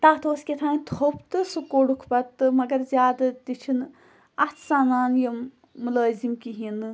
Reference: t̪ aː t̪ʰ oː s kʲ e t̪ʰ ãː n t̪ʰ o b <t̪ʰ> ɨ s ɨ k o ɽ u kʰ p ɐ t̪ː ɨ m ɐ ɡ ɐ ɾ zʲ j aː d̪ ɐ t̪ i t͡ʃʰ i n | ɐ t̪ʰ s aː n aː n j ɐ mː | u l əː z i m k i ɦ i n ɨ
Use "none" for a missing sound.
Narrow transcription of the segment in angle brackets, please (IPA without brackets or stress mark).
t̪